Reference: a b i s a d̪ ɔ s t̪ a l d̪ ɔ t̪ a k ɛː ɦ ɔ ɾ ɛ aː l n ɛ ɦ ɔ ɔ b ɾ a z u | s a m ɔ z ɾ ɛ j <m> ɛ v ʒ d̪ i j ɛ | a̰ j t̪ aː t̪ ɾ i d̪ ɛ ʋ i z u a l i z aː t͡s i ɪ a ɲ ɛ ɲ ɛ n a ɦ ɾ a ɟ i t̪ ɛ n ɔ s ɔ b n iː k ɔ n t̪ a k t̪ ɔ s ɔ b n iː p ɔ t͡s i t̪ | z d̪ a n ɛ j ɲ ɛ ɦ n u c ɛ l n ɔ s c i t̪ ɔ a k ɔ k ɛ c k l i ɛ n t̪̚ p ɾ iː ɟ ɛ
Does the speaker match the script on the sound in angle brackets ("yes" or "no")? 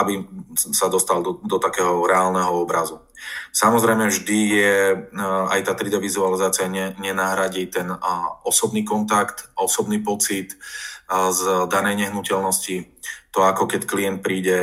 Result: yes